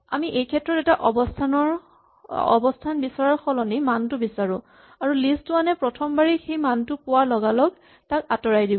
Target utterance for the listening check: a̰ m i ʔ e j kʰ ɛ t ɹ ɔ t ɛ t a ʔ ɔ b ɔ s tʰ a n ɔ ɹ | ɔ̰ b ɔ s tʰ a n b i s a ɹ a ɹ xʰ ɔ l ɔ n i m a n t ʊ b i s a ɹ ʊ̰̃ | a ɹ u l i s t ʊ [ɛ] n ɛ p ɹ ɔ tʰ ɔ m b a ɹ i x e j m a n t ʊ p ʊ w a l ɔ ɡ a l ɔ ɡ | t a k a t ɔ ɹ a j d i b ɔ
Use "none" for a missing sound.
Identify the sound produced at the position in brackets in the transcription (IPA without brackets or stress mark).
a